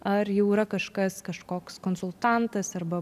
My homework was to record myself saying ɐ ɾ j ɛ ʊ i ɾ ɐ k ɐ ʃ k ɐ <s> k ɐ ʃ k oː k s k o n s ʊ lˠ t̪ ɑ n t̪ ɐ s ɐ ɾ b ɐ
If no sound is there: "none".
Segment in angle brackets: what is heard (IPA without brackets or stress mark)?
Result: s